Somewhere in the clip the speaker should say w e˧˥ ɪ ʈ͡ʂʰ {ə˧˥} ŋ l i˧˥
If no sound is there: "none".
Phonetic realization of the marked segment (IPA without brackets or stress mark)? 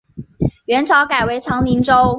ɑ˧˥